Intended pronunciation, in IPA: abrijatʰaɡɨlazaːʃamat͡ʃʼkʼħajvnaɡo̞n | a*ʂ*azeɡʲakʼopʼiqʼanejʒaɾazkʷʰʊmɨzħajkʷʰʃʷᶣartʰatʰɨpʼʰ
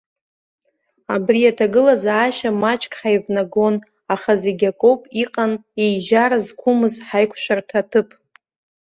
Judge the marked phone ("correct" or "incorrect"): incorrect